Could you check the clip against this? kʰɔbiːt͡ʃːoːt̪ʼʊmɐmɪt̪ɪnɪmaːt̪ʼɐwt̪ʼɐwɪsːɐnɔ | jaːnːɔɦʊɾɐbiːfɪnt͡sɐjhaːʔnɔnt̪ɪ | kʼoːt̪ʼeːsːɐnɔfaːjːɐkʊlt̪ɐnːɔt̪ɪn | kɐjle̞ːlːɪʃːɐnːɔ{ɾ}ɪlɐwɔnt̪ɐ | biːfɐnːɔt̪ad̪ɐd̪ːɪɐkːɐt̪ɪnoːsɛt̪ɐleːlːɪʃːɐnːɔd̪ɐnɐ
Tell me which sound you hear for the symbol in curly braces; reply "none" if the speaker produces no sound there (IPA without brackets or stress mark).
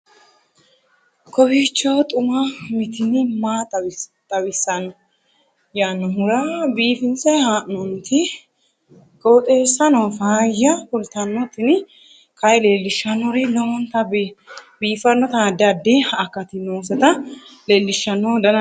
ɾ